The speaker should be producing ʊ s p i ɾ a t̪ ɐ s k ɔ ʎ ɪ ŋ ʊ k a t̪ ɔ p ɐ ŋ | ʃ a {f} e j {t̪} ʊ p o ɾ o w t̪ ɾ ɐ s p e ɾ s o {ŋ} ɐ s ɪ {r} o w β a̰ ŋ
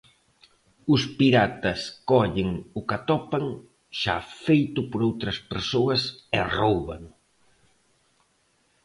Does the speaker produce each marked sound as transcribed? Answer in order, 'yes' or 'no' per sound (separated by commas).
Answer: yes, yes, no, yes